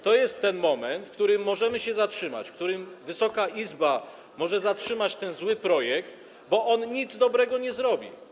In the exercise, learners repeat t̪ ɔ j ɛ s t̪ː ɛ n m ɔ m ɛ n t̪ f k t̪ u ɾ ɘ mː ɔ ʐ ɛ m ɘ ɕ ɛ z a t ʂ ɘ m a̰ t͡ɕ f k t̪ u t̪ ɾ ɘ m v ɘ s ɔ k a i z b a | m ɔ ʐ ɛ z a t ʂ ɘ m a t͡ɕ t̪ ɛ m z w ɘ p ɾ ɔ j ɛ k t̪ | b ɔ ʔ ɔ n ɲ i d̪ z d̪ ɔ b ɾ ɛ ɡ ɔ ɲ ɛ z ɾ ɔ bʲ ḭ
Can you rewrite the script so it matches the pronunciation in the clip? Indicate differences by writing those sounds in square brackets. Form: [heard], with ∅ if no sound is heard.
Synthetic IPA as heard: t̪ ɔ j ɛ s t̪ː ɛ n m ɔ m ɛ n t̪ f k t̪ u ɾ ɘ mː ɔ ʐ ɛ m ɘ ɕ ɛ z a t ʂ ɘ m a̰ t͡ɕ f k t̪ u [∅] ɾ ɘ m v ɘ s ɔ k a i z b a | m ɔ ʐ ɛ z a t ʂ ɘ m a t͡ɕ t̪ ɛ [n] z w ɘ p ɾ ɔ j ɛ k t̪ | b ɔ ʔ ɔ n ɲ i d̪ z d̪ ɔ b ɾ ɛ ɡ ɔ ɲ ɛ z ɾ ɔ bʲ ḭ